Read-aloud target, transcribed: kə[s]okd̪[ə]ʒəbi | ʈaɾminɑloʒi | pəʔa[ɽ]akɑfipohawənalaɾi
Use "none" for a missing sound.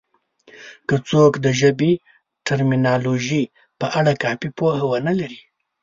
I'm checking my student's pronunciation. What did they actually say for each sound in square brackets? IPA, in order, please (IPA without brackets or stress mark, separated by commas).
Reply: t͡s, ə, ɽ